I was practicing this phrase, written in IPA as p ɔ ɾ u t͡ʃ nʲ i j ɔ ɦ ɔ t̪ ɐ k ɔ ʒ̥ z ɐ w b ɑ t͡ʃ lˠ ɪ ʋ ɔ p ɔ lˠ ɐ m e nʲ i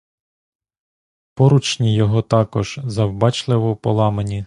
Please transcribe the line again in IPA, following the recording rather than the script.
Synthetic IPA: p ɔ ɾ u t͡ʃ nʲ i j ɔ ɦ ɔ t̪ ɑ k ɔ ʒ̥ z ɐ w b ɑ t͡ʃ lˠ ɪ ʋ ɔ p ɔ lˠ ɑ m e nʲ i

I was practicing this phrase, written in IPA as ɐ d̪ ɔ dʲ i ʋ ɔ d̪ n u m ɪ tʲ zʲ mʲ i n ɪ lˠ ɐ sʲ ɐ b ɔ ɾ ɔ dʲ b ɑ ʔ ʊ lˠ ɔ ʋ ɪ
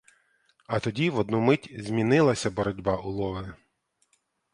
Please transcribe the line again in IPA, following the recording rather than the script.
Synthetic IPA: ɐ t̪ ɔ dʲ i ʋ ɔ d̪ n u m ɪ tʲ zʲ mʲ i n ɪ lˠ ɐ sʲ ɐ b ɔ ɾ ɔ dʲ b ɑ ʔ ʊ lˠ ɔ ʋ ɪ

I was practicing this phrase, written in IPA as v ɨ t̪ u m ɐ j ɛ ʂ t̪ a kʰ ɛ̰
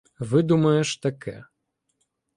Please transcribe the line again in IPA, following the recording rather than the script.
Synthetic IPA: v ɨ d̪ u m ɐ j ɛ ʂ t̪ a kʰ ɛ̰

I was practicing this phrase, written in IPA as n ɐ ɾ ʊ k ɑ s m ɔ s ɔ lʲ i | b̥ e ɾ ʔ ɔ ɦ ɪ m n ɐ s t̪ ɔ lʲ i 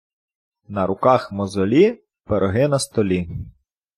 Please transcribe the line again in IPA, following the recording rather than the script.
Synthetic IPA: n ɐ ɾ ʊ k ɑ x m ɔ z ɔ lʲ i | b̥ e ɾ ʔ ɔ ɦ ɪ n ɐ s t̪ ɔ lʲ i

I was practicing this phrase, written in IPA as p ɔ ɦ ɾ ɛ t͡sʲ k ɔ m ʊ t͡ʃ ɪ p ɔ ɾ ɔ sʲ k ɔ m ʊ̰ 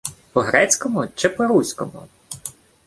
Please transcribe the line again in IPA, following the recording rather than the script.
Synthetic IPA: p ɔ ɦ ɾ ɛ t͡sʲ k ɔ m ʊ t͡ʃ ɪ p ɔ ɾ u sʲ k ɔ m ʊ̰

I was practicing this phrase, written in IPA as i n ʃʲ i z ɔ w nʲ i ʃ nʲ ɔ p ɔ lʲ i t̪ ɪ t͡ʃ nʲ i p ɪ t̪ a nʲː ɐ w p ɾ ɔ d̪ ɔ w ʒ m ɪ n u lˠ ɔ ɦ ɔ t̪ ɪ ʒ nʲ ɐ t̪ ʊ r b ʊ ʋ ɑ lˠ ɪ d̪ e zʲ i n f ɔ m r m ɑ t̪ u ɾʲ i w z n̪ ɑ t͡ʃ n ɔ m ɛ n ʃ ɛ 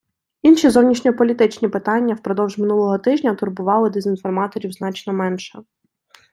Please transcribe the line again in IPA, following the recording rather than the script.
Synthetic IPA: i n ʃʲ i z ɔ w nʲ i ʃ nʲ ɔ p ɔ lʲ i t̪ ɪ t͡ʃ nʲ i p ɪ t̪ ɑ nʲː ɐ w p ɾ ɔ d̪ ɔ w ʒ m ɪ n u lˠ ɔ ɦ ɔ t̪ ɪ ʒ nʲ ɐ t̪ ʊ r b ʊ ʋ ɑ lˠ ɪ d̪ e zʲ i n f ɔ r m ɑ t̪ ɔ ɾʲ i w z n̪ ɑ t͡ʃ n ɔ m ɛ n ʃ ɛ

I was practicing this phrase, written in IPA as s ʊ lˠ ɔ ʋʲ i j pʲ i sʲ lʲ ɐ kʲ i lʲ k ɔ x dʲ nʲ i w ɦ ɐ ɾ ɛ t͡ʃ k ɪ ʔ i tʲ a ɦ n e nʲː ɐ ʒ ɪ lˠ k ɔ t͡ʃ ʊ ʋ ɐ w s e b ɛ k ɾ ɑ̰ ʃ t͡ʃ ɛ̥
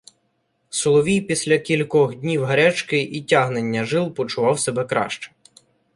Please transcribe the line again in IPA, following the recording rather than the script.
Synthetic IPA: s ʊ lˠ ɔ ʋʲ i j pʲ i sʲ lʲ ɐ kʲ i lʲ k ɔ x dʲ nʲ i w ɦ ɐ ɾ ɛ t͡ʃ k ɪ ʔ i tʲ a ɦ n e nʲː ɐ ʒ ɪ lˠ p ɔ t͡ʃ ʊ ʋ ɑ w s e b ɛ k ɾ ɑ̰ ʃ t͡ʃ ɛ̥

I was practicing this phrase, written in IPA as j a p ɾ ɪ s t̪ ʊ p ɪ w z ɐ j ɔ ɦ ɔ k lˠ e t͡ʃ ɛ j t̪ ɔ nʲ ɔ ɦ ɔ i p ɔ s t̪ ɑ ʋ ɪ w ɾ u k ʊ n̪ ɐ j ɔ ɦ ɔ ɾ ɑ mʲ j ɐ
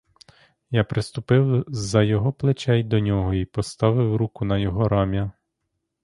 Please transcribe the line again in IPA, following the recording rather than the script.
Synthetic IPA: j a p ɾ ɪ s t̪ ʊ p ɪ w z ɐ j ɔ ɦ ɔ p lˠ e t͡ʃ ɛ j d̪ ɔ nʲ ɔ ɦ ɔ i p ɔ s t̪ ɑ ʋ ɪ w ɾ u k ʊ n̪ ɐ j ɔ ɦ ɔ ɾ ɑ mʲ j ɐ

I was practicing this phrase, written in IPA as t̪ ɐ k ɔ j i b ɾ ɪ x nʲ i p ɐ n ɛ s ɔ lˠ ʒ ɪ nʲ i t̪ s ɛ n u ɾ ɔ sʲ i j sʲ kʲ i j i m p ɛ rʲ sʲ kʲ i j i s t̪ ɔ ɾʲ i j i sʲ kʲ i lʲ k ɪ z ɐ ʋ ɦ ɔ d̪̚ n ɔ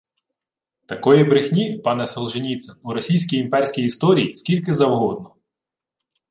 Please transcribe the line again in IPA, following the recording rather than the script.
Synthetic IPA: t̪ ɐ k ɔ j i b ɾ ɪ x nʲ i p ɑ n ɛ s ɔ lˠ ʒ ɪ nʲ i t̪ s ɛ n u ɾ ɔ sʲ i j sʲ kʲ i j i m p ɛ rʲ sʲ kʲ i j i s t̪ ɔ ɾʲ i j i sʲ kʲ i lʲ k ɪ z ɐ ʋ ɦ ɔ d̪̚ n ɔ

